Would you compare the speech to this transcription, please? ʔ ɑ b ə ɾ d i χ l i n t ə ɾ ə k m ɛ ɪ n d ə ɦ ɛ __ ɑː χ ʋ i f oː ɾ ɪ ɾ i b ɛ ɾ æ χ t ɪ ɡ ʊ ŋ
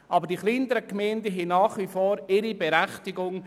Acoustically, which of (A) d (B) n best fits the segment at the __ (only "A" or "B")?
B